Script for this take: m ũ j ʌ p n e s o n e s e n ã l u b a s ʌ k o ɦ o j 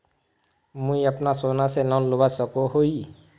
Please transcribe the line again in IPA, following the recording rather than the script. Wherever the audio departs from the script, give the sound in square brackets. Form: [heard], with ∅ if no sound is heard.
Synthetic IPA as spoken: m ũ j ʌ p n [a] s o n [a] s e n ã l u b a s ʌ k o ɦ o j